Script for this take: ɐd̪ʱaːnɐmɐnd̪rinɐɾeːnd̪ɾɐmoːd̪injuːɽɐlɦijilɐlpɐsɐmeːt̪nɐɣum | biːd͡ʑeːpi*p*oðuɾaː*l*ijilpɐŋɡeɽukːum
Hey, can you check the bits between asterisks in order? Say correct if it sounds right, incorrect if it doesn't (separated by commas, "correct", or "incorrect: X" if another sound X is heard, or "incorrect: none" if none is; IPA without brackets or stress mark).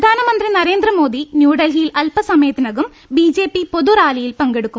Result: correct, correct